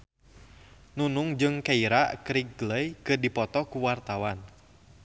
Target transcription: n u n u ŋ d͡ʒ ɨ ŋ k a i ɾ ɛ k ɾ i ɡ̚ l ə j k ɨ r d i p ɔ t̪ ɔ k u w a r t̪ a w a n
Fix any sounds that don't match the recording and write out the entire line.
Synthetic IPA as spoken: n u n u ŋ d͡ʒ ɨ ŋ k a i ɾ a k ɾ i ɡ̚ l ə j k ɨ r d i p ɔ t̪ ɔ k u w a r t̪ a w a n